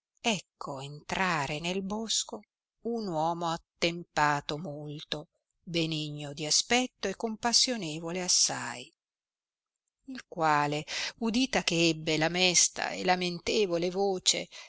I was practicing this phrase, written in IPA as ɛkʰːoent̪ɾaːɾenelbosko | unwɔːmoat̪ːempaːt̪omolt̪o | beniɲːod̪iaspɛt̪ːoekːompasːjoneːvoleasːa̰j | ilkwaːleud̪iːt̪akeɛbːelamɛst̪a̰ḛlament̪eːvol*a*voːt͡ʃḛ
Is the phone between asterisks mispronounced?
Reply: yes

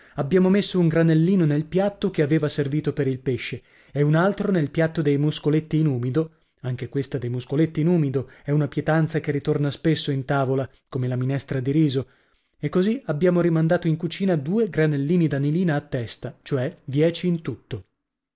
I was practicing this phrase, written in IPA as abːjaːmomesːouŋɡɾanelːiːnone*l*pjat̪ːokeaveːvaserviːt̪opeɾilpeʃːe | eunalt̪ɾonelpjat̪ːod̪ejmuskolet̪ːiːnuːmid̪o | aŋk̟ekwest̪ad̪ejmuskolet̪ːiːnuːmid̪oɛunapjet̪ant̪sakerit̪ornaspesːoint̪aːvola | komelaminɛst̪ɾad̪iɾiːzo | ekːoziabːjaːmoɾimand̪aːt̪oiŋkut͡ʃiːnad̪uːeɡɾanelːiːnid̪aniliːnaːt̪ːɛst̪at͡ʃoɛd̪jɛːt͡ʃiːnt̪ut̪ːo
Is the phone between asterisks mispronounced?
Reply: no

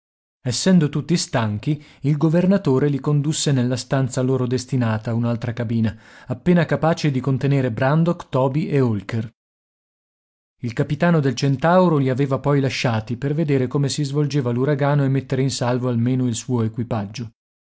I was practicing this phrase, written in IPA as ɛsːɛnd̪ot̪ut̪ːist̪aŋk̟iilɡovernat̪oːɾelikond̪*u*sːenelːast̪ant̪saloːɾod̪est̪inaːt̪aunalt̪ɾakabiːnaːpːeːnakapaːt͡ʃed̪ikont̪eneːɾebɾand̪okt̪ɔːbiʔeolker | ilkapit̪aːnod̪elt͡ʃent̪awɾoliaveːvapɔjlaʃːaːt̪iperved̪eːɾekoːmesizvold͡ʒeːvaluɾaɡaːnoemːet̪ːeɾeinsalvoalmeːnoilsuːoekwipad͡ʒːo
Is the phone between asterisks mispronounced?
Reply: no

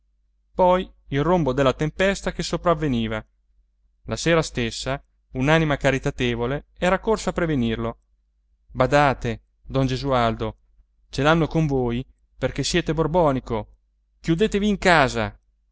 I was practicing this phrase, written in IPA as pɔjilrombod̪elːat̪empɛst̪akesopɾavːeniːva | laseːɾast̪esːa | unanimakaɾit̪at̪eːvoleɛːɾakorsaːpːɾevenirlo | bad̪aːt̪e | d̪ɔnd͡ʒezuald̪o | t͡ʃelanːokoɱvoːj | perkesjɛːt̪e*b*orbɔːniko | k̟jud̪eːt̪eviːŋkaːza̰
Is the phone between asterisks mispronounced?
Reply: no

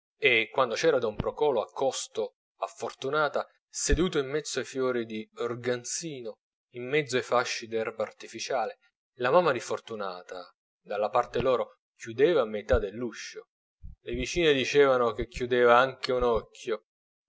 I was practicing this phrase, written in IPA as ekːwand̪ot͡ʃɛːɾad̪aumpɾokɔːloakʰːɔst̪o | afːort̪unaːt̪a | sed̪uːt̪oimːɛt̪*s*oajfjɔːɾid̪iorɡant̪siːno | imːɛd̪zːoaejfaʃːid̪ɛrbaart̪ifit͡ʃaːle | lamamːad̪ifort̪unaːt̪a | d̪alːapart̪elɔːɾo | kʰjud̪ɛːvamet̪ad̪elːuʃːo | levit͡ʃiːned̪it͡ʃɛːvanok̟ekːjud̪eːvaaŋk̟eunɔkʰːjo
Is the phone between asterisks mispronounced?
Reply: yes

